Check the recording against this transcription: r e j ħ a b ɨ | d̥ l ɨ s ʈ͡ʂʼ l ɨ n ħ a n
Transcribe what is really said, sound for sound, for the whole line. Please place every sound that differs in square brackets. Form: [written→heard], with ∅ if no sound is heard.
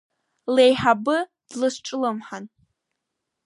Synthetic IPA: [r→l] e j ħ a b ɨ | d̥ l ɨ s ʈ͡ʂʼ l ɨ [n→m] ħ a n